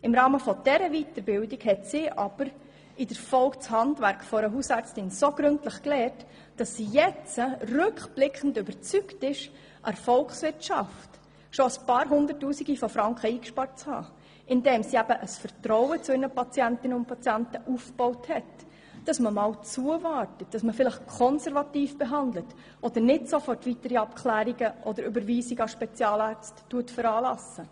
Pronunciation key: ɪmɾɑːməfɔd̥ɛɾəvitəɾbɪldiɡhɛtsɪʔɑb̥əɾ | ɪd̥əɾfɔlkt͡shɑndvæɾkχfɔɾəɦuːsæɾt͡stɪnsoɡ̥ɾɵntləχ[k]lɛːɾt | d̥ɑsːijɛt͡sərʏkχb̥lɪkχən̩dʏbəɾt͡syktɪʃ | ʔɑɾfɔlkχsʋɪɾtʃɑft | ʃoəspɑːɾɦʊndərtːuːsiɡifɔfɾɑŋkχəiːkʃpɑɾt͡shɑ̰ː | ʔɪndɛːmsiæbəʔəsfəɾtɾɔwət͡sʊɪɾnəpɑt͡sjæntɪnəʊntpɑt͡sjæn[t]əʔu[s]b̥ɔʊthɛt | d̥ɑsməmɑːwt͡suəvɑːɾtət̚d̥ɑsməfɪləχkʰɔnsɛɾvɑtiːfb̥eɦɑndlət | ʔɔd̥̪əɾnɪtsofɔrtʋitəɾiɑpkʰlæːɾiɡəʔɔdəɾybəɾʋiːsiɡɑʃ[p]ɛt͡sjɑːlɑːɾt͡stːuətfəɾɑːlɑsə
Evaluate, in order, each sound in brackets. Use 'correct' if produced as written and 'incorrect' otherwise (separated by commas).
correct, correct, incorrect, correct